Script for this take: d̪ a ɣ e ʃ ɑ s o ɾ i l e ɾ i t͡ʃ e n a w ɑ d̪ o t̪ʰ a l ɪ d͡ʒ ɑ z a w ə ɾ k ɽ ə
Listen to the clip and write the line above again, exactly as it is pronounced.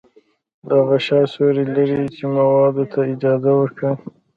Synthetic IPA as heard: d̪ a ɣ a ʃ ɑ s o ɾ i l a ɾ i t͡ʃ e m a w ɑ d̪ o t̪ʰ a ɪ d͡ʒ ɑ z a w ə ɾ k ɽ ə